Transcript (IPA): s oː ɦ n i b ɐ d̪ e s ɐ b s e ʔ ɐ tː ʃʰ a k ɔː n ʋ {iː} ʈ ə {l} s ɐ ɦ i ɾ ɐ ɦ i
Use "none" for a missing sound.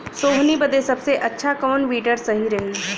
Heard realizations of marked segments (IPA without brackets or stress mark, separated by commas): iː, ɾ